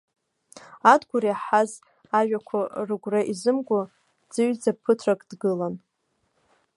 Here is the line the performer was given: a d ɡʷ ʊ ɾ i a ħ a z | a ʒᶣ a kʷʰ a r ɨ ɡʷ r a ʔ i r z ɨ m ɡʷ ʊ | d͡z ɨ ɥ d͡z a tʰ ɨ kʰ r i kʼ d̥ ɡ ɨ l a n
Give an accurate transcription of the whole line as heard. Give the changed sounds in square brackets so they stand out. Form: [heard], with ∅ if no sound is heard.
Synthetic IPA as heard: a d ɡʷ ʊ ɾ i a ħ a z | a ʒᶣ a kʷʰ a r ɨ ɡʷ r a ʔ i [∅] z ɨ m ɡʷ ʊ | d͡z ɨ ɥ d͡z a [pʰ] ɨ [tʰ] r [a] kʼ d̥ ɡ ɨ l a n